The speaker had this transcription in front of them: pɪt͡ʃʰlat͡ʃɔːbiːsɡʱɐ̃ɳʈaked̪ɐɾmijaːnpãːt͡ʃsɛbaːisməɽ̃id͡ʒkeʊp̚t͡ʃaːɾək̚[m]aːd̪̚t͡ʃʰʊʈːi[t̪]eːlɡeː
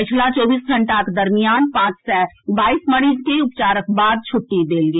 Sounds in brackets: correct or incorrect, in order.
incorrect: b, incorrect: d̪

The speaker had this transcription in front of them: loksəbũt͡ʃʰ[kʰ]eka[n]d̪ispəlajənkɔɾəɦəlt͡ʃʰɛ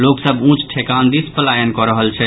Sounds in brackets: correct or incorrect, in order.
incorrect: ʈʰ, correct

